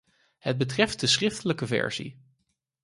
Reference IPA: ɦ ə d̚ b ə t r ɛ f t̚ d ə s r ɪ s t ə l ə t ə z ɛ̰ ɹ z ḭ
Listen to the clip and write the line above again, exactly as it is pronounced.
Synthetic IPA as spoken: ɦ ə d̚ b ə t r ɛ f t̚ d ə s r ɪ f t ə l ə k ə v ɛ̰ ɹ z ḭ